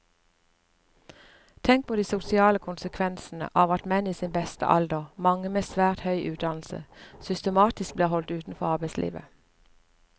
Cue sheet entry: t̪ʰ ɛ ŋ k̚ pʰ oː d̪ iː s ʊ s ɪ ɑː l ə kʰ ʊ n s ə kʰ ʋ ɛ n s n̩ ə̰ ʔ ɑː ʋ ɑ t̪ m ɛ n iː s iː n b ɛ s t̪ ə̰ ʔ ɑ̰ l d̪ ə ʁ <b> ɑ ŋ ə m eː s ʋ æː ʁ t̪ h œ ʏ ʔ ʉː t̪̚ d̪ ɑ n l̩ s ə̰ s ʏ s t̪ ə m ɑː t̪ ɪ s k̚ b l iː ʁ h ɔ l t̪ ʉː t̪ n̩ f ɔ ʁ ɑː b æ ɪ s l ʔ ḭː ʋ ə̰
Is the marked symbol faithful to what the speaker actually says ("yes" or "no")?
no